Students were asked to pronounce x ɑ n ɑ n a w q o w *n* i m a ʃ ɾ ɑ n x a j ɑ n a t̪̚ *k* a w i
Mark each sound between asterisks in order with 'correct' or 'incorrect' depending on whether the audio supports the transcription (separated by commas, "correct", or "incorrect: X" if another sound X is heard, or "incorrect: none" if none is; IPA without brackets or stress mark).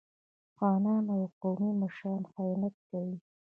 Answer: incorrect: m, correct